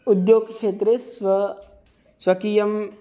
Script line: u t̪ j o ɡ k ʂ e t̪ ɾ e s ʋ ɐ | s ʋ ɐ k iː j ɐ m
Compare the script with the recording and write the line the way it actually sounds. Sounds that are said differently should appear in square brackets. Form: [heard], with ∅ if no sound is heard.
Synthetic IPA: u [d̪] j o ɡ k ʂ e t̪ ɾ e s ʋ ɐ | s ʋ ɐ k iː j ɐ m